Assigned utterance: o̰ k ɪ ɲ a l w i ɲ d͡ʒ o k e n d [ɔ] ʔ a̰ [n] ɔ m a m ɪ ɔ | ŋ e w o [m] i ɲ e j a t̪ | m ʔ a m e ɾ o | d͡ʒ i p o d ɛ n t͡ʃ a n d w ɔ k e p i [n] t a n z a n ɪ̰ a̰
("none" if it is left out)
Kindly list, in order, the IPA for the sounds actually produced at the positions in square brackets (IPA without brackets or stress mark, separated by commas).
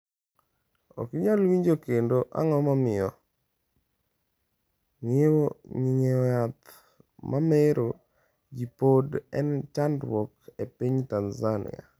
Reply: o, ŋ, ɲ, ɲ